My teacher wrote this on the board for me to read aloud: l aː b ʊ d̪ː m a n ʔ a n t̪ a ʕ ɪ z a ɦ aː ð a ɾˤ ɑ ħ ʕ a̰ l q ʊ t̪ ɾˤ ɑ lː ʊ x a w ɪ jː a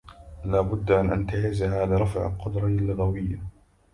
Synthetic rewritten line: l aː b ʊ d̪ː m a n ʔ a n t̪ a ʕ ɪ z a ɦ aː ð a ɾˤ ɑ f ʕ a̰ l q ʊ d̪ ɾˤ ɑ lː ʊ ɣ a w ɪ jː a